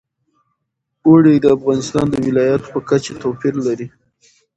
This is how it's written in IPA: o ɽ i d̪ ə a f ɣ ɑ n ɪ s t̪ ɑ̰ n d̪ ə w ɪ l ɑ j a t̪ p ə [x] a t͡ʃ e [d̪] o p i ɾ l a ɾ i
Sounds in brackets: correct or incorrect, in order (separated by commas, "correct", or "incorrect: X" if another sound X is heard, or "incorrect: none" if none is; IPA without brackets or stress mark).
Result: incorrect: k, incorrect: t̪